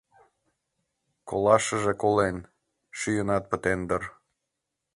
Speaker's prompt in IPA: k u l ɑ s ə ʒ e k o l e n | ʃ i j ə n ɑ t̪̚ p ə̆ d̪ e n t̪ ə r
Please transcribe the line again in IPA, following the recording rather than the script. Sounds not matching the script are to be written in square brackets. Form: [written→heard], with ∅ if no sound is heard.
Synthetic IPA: k [u→o] l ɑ [s→ʃ] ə ʒ e k o l e n | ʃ [i→y] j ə n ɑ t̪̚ p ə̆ [d̪→t̪] e n [t̪→d̪] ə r

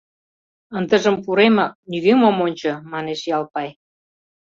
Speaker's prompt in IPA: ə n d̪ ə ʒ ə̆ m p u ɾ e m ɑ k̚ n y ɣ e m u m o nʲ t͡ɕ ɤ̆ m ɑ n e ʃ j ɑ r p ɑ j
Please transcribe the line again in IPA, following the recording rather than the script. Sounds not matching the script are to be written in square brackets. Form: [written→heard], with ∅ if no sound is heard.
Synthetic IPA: ə n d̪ ə ʒ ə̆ m p u ɾ e m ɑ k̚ n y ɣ e m [u→o] m o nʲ t͡ɕ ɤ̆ m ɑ n e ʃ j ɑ [r→l] p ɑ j

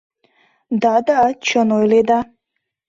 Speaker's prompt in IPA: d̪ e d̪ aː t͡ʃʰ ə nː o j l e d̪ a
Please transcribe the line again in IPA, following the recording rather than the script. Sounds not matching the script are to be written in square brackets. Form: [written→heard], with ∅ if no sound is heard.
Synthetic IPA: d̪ [e→a] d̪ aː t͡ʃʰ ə [nː→n] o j l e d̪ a

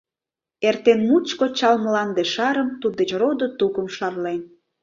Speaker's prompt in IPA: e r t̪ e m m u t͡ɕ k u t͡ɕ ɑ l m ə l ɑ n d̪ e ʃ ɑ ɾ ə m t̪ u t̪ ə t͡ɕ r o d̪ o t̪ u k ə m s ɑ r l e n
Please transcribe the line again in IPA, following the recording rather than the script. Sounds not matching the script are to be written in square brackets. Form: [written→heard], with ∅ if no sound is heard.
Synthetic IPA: e r t̪ e [m→n] m u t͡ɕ k [u→o] t͡ɕ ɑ l m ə l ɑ n d̪ e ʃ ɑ ɾ ə m t̪ u [t̪→d̪] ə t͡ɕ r o d̪ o t̪ u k ə m [s→ʃ] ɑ r l e n

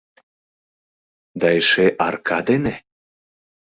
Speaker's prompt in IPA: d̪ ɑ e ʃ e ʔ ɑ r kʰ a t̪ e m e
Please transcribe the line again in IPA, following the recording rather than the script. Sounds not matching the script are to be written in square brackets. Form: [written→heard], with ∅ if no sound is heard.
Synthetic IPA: d̪ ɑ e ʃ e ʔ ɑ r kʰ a [t̪→d̪] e [m→n] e

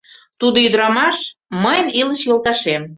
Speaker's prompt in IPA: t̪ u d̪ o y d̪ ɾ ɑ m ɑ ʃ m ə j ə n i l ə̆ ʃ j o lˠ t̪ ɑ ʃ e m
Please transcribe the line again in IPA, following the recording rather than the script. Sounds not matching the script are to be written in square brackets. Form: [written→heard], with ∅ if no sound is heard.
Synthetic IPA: t̪ u d̪ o y d̪ ɾ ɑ m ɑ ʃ m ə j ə n i l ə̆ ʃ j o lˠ t̪ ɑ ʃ e m

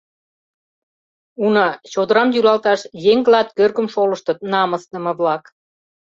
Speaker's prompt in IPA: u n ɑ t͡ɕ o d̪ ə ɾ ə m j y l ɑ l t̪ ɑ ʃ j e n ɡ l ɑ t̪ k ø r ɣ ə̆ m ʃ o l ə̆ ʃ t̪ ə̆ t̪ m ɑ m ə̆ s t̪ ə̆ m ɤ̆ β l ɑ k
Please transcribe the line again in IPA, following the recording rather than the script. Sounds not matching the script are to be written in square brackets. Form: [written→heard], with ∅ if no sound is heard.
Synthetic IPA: u n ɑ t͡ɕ o d̪ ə ɾ [ə→ɑ] m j y l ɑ l t̪ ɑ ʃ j e [n→ŋ] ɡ l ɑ t̪ k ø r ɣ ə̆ m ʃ o l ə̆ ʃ t̪ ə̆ t̪ [m→n] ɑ m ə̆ s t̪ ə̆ m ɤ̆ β l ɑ k

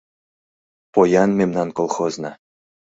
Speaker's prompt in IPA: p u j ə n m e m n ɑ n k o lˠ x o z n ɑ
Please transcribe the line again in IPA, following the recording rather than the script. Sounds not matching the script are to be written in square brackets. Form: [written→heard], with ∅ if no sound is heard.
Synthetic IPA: p [u→o] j [ə→ɑ] n m e m n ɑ n k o lˠ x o z n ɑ

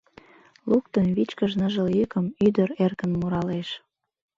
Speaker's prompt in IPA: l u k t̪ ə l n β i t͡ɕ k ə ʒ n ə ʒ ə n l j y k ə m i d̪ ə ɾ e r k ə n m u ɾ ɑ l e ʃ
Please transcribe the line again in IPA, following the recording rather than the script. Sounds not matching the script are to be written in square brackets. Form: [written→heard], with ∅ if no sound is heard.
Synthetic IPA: l u k t̪ ə [l→∅] n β i t͡ɕ k ə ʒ n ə ʒ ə [n→∅] l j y k ə m [i→y] d̪ ə ɾ e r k ə n m u ɾ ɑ l e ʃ

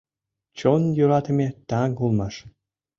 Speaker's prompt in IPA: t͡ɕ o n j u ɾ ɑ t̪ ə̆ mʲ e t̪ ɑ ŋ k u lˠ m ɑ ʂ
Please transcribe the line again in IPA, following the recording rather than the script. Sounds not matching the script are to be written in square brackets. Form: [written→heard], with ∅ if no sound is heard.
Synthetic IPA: t͡ɕ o n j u ɾ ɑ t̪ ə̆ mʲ e t̪ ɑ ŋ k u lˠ m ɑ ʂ

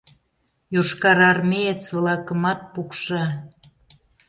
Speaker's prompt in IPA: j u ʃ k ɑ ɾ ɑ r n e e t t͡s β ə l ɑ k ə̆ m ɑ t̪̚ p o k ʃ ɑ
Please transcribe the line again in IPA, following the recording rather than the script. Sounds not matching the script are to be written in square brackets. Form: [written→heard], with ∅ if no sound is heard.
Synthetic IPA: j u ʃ k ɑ ɾ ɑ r [n→m] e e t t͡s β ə l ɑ k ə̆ m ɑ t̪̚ p [o→u] k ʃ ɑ

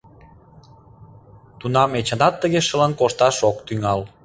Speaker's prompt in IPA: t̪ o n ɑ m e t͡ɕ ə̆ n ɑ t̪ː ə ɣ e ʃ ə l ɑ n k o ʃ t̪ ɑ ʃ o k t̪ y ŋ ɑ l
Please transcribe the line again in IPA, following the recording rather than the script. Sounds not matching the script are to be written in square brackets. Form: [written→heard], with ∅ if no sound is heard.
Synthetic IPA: t̪ [o→u] n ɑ m e t͡ɕ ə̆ n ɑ t̪ː ə ɣ e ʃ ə l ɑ n k o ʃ t̪ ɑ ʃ o k t̪ y ŋ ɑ l

